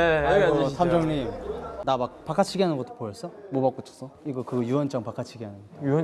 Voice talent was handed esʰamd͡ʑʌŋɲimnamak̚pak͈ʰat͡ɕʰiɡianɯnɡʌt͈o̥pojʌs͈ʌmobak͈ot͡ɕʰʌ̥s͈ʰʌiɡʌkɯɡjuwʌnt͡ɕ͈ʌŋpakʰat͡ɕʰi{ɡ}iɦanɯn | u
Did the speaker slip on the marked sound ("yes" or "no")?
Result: no